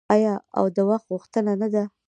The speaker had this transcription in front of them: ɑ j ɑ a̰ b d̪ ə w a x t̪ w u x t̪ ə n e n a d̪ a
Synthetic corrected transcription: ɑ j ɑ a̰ w d̪ ə w a x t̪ ɣ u x t̪ ə n a n a d̪ a